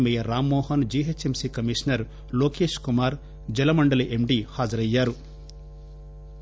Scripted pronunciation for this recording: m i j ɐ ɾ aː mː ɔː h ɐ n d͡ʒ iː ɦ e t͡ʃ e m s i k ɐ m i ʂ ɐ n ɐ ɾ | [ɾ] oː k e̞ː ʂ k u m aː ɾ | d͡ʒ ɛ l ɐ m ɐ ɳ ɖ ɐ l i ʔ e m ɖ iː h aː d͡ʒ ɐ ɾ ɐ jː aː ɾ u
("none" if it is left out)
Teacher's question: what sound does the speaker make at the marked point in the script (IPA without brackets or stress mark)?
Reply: l